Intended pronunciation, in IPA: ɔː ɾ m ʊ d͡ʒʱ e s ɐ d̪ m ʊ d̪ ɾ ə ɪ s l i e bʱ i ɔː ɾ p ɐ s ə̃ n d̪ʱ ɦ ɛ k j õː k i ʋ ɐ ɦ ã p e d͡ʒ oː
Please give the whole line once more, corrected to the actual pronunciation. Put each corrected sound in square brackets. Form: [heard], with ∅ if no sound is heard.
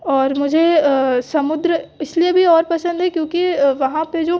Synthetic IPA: ɔː ɾ m ʊ d͡ʒʱ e s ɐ [∅] m ʊ d̪ ɾ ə ɪ s l i e bʱ i ɔː ɾ p ɐ s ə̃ n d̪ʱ ɦ ɛ k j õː k i ʋ ɐ ɦ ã p e d͡ʒ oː